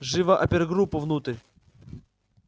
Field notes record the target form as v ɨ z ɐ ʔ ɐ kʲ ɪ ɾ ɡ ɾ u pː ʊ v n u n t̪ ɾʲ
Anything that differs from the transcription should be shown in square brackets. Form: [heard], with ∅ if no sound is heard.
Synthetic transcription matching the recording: [ʐ] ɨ [v] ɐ ʔ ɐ [pʲ] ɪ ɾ ɡ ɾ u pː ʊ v n u [∅] t̪ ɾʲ